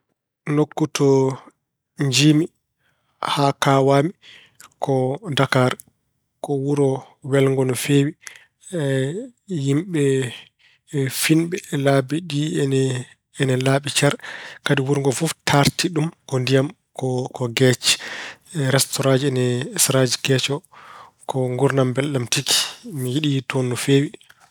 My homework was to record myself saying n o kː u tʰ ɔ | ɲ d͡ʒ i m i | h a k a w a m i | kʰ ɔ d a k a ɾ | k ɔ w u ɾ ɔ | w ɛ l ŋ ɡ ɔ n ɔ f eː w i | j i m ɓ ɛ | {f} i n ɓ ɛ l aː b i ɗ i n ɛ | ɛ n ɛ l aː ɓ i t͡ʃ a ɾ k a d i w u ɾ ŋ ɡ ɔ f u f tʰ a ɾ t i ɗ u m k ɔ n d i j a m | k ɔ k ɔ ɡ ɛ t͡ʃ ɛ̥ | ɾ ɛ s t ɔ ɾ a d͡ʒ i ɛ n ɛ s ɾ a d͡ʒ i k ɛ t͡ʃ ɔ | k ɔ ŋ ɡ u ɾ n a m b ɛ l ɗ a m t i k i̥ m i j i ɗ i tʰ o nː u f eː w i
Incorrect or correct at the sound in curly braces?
correct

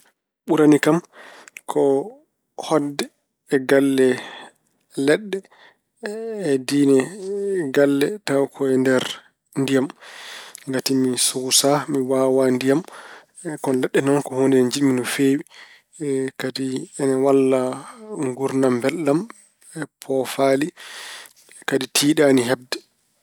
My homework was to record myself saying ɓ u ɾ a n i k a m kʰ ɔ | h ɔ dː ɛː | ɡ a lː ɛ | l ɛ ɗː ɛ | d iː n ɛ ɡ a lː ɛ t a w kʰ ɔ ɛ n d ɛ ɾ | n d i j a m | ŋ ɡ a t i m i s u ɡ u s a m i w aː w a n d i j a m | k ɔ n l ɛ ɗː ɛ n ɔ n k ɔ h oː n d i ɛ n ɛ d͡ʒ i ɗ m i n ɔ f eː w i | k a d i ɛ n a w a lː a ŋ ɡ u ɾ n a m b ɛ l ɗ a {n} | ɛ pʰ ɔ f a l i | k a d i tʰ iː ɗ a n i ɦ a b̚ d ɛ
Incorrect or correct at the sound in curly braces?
incorrect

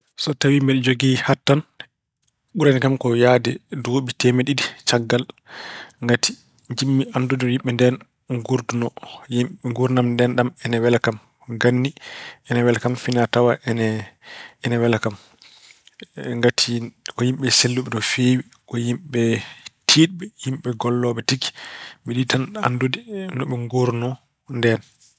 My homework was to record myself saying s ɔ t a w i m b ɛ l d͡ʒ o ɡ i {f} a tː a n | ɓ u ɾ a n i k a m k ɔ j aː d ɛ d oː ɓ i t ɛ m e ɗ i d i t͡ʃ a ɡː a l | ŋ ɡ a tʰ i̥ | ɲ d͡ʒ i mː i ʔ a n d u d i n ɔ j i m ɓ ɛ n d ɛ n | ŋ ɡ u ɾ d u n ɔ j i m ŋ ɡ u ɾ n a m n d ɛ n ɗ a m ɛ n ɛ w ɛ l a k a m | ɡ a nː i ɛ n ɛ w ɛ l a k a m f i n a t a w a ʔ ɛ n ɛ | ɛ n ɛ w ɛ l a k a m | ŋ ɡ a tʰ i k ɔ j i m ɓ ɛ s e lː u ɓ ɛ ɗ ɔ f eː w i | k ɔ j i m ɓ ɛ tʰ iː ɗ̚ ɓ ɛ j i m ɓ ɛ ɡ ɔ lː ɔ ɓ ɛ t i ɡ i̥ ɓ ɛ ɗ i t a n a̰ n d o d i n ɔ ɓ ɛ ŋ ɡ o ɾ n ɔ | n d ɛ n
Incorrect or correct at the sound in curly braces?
incorrect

